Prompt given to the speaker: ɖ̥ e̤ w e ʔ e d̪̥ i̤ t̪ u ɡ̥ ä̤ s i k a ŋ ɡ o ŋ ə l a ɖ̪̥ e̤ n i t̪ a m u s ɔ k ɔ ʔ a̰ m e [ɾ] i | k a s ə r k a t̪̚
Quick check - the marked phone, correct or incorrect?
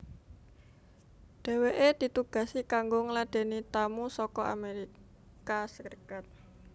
correct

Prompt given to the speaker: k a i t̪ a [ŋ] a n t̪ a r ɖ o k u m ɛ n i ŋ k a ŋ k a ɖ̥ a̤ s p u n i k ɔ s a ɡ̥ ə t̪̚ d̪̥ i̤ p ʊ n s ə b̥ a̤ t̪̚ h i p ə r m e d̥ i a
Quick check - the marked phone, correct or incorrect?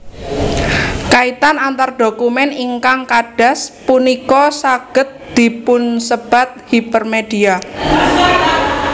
incorrect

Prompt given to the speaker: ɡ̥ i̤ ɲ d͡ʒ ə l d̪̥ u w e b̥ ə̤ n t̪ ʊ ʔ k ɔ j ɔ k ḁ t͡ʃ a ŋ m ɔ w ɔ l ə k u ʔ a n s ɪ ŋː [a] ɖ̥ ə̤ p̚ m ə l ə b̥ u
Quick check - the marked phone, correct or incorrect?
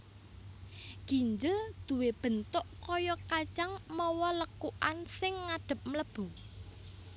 correct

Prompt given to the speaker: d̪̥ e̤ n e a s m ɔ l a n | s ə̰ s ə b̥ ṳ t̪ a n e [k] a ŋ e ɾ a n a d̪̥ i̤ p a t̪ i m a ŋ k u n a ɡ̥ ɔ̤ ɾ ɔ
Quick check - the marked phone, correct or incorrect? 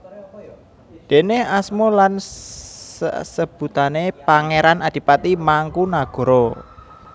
incorrect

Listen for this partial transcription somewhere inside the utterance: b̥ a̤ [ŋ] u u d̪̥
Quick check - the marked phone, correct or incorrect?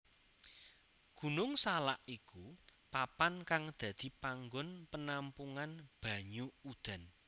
incorrect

